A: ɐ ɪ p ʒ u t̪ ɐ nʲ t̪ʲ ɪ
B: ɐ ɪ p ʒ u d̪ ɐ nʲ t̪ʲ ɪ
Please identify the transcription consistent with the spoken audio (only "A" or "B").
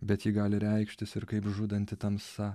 B